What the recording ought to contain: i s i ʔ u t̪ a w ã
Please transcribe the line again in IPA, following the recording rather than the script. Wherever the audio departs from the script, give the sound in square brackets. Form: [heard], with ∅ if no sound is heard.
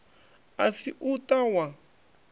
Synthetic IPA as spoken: [a] s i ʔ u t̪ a w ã